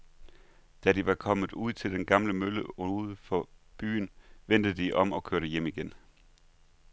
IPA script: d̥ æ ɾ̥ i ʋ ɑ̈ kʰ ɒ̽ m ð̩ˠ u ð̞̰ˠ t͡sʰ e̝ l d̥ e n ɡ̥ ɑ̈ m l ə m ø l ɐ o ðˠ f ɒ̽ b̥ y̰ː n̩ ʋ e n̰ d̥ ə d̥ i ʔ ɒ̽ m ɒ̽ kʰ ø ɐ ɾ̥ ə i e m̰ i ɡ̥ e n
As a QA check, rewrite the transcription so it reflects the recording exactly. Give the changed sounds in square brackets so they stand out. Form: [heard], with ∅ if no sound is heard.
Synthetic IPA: d̥ æ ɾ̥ i ʋ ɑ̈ kʰ ɒ̽ m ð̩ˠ u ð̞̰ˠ t͡sʰ e̝ l d̥ e n ɡ̥ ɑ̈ m l ə m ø l [ə] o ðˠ f ɒ̽ b̥ y̰ː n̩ ʋ e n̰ d̥ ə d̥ i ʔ ɒ̽ m ɒ̽ kʰ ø ɐ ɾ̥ ə [j] e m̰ i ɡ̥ e n

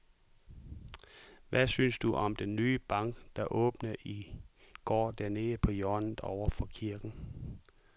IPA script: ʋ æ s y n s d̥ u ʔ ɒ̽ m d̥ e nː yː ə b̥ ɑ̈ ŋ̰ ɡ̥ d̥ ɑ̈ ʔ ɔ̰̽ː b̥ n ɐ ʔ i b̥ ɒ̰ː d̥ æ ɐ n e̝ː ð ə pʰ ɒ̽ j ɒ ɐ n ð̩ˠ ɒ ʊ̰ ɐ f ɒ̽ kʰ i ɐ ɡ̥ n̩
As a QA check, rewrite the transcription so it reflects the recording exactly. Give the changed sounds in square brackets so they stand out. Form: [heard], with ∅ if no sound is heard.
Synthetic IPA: ʋ æ s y n s d̥ u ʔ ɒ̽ m d̥ e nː yː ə b̥ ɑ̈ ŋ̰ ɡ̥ d̥ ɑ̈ ʔ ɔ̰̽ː b̥ n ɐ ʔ i [ɡ̥] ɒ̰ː d̥ æ ɐ n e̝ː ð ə pʰ ɒ̽ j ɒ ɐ n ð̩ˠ ɒ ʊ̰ ɐ f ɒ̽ kʰ i ɐ ɡ̥ n̩

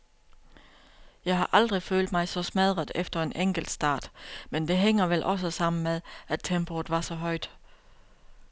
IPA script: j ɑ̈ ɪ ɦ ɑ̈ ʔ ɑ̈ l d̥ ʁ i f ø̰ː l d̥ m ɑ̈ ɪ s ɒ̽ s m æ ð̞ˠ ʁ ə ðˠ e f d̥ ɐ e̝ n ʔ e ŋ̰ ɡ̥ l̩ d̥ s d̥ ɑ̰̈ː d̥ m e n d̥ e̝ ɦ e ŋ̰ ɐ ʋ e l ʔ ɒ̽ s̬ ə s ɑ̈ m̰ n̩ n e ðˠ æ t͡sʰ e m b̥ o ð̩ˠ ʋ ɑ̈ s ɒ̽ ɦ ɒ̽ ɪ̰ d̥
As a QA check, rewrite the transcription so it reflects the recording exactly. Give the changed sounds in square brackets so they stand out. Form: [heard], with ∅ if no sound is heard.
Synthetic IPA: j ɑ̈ ɪ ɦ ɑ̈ ʔ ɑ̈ l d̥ ʁ i f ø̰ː l d̥ m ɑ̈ ɪ s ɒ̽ s m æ ð̞ˠ ʁ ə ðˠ e f d̥ ɐ e̝ n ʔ e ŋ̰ ɡ̥ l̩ d̥ s d̥ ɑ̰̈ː d̥ m e n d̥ e̝ ɦ e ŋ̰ ɐ ʋ e l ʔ ɒ̽ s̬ ə s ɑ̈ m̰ n̩ [m] e ðˠ æ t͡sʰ e m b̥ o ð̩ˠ ʋ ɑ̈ s ɒ̽ ɦ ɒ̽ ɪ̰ d̥

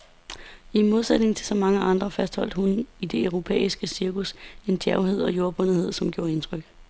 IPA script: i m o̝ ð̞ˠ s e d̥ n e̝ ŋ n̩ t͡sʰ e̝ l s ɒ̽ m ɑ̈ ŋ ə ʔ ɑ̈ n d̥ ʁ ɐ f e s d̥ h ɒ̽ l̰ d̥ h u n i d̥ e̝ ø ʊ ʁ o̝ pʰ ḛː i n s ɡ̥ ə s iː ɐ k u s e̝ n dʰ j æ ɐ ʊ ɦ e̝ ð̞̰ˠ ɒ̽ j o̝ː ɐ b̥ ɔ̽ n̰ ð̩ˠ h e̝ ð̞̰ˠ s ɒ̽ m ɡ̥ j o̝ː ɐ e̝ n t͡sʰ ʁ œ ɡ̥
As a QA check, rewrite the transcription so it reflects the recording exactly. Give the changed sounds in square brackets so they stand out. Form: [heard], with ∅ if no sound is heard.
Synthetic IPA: i m o̝ ð̞ˠ s e d̥ n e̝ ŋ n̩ t͡sʰ e̝ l s ɒ̽ m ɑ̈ ŋ ə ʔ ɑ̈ n d̥ ʁ ɐ f [æ] s d̥ h ɒ̽ l̰ d̥ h u n i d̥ e̝ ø ʊ ʁ o̝ pʰ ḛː i [∅] s ɡ̥ ə s [i] ɐ k u s e̝ n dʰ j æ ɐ ʊ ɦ e̝ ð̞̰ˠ ɒ̽ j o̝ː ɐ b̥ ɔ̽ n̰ ð̩ˠ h e̝ ð̞̰ˠ s ɒ̽ m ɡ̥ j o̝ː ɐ e̝ n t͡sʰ ʁ œ ɡ̥

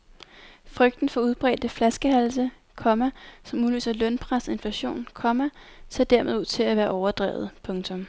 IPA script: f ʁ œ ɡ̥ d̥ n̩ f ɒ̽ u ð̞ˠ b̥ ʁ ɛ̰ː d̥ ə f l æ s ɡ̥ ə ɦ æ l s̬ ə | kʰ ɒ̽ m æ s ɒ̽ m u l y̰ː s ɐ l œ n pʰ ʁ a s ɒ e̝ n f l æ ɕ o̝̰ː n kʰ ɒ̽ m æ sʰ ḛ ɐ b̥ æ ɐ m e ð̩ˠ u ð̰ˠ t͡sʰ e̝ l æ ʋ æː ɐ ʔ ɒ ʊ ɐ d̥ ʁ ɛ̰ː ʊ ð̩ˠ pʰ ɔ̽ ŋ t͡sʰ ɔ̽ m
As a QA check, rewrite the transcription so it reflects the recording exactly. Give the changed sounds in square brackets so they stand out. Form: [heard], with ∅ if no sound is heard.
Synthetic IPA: f ʁ œ ɡ̥ d̥ n̩ f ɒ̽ u ð̞ˠ b̥ ʁ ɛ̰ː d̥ ə f l æ s ɡ̥ ə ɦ æ l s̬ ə | kʰ ɒ̽ m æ s ɒ̽ m u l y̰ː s ɐ l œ n pʰ ʁ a s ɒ e̝ n f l æ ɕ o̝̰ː n kʰ ɒ̽ m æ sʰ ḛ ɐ [d̥] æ ɐ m e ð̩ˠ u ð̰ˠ t͡sʰ e̝ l æ ʋ æː ɐ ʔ ɒ ʊ ɐ d̥ ʁ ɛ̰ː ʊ ð̩ˠ pʰ ɔ̽ ŋ t͡sʰ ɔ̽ m

